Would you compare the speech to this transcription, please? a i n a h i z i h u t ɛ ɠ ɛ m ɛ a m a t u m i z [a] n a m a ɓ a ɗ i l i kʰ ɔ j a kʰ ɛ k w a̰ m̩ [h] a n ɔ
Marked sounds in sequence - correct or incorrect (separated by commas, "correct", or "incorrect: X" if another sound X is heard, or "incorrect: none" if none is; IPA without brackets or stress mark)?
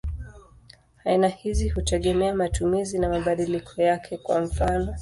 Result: incorrect: i, incorrect: f